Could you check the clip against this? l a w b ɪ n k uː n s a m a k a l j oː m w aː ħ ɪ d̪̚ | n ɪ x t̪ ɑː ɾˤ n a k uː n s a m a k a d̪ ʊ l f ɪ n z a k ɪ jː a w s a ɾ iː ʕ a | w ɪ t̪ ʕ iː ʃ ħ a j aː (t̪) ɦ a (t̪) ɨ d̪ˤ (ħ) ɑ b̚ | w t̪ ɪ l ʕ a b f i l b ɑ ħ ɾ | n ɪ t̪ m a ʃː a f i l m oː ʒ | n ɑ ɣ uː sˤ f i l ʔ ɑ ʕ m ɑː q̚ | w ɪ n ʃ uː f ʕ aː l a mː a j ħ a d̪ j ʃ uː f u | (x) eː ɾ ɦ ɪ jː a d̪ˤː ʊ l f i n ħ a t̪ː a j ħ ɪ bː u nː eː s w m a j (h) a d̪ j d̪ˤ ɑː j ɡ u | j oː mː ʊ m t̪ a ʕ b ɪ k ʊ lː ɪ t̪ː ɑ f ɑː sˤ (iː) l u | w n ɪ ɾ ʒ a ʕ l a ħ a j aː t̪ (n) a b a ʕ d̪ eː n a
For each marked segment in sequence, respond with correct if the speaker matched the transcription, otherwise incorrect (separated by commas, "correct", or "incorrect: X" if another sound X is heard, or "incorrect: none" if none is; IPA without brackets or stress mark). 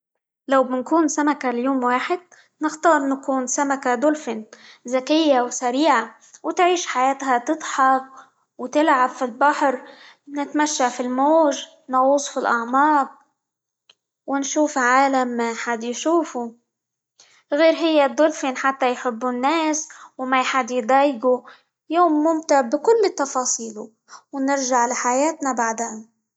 correct, correct, correct, incorrect: ɣ, incorrect: ħ, correct, correct